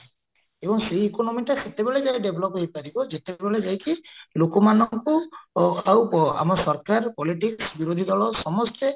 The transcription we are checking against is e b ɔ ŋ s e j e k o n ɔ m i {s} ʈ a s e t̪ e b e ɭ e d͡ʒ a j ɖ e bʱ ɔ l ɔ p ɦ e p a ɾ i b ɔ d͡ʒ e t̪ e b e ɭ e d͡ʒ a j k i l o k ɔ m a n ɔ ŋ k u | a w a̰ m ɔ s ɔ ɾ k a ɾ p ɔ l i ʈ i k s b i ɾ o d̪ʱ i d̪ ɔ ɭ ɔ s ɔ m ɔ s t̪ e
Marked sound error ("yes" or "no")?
yes